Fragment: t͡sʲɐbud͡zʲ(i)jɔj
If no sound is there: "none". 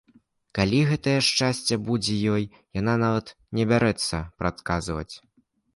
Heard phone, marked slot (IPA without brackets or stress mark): ɛ